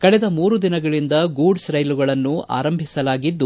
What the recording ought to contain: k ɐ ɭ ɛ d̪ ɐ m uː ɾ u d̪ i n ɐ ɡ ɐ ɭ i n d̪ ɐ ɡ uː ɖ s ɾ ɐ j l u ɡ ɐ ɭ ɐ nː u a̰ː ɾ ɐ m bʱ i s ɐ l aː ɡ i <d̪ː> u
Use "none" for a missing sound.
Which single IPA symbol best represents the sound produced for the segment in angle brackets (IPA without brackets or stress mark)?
d̪ː